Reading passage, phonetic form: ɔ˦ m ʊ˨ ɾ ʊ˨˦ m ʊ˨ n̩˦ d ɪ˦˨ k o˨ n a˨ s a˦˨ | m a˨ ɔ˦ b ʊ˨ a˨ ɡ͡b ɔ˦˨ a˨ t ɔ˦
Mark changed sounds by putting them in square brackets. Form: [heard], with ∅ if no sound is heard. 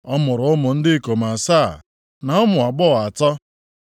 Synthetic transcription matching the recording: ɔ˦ m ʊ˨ ɾ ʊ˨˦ m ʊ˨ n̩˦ d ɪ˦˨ k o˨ [m] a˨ s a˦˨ | [n] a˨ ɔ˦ [m] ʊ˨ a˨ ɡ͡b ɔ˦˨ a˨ t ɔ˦

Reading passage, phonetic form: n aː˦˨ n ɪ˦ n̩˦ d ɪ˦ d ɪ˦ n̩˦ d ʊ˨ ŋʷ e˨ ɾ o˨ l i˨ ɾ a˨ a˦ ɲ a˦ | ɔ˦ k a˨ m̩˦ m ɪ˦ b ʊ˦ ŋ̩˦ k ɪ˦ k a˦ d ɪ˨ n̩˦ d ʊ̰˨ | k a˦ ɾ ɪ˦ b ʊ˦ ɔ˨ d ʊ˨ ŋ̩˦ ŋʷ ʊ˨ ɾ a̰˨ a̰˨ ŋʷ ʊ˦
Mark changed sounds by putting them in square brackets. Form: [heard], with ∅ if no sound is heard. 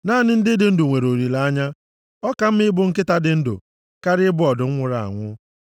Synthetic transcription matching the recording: n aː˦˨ n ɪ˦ n̩˦ d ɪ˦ d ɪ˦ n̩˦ d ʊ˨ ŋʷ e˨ ɾ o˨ [ɾ] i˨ [l] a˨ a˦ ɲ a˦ | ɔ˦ k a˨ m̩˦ m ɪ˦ b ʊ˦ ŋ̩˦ k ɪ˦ [t] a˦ d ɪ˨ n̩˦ d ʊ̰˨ | k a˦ ɾ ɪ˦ b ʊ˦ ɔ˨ d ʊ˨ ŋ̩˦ ŋʷ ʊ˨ ɾ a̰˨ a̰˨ ŋʷ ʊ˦

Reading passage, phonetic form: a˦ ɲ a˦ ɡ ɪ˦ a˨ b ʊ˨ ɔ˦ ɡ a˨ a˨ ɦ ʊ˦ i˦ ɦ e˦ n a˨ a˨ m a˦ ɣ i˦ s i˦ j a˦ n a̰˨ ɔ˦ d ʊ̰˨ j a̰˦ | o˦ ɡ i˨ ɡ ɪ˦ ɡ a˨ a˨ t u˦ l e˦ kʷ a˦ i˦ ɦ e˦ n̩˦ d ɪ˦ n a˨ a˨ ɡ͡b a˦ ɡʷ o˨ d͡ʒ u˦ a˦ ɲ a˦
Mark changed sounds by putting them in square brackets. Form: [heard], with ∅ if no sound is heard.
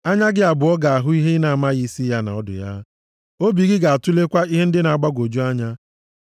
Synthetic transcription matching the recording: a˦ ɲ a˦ ɡ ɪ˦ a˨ b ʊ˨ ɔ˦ ɡ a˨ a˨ ɦ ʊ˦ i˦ ɦ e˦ n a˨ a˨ m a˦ ɣ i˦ s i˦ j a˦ n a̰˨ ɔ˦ d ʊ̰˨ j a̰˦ | o˦ [b] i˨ ɡ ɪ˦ ɡ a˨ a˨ t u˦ l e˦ kʷ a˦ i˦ ɦ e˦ n̩˦ d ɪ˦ n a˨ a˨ ɡ͡b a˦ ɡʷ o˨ d͡ʒ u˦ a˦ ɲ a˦

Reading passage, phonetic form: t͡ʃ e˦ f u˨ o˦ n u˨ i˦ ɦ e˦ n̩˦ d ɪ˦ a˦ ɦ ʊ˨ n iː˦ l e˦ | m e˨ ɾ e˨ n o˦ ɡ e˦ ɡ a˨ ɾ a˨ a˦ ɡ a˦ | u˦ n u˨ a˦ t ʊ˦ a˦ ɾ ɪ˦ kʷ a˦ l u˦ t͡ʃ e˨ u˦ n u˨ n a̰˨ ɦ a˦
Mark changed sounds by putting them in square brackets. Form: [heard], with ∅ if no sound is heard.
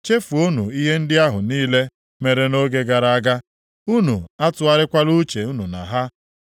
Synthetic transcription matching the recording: t͡ʃ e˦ f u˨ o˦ n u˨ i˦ ɦ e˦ n̩˦ d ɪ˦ a˦ ɦ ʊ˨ n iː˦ l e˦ | m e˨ ɾ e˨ n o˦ ɡ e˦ ɡ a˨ ɾ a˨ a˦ ɡ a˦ | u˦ n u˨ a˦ t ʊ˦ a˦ ɾ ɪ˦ kʷ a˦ l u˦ t͡ʃ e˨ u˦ n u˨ n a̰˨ ɦ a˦

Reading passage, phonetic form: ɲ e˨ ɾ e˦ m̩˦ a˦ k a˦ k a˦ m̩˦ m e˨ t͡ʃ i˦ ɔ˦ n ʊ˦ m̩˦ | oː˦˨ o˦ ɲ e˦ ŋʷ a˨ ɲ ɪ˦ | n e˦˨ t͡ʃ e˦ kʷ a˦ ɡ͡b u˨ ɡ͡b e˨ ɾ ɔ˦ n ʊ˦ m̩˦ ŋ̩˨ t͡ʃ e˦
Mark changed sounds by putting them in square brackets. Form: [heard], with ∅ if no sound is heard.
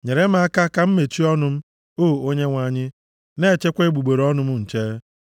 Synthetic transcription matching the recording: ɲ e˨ ɾ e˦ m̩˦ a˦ k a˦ k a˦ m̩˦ m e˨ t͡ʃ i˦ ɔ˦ n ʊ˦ m̩˦ | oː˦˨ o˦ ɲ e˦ ŋʷ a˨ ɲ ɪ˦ | n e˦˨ t͡ʃ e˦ kʷ [e˦] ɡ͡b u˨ ɡ͡b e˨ ɾ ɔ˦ n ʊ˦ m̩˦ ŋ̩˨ t͡ʃ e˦

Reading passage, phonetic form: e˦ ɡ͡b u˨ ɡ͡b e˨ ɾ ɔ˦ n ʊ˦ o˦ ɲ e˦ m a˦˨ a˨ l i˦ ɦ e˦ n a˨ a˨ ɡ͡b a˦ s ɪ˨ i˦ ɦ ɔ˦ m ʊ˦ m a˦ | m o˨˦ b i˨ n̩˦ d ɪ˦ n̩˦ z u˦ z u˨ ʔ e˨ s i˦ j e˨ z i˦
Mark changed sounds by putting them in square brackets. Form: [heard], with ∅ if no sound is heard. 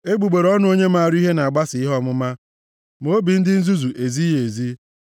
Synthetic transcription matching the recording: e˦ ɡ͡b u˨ ɡ͡b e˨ ɾ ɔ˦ n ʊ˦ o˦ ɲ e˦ m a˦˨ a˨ [ɾ] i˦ ɦ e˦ n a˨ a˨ ɡ͡b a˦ s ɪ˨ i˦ ɦ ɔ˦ m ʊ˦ m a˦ | m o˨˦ b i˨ n̩˦ d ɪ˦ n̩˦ z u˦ z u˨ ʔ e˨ [z] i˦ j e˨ z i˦

